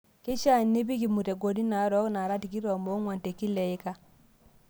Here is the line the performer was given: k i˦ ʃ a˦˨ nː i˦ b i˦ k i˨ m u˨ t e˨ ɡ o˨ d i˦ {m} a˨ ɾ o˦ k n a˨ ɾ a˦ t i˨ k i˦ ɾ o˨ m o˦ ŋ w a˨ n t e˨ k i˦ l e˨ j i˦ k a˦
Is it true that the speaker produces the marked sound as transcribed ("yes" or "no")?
no